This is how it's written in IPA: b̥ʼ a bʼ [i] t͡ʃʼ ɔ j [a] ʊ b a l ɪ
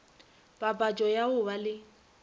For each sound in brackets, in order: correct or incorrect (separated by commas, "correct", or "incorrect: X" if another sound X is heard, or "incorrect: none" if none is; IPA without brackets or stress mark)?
incorrect: a, correct